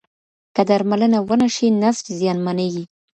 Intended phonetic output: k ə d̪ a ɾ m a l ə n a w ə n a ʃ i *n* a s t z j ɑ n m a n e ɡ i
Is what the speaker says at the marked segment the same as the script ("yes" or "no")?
yes